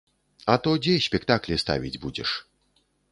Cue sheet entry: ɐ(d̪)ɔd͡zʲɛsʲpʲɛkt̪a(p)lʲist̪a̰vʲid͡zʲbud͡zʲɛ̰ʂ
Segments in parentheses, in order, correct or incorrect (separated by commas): incorrect, incorrect